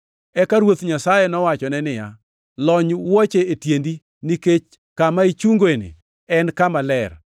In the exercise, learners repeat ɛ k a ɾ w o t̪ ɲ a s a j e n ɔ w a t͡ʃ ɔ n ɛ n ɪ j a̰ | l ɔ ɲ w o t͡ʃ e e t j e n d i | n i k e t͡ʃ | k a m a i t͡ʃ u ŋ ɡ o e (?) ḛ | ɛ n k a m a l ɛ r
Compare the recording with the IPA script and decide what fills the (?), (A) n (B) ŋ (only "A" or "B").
A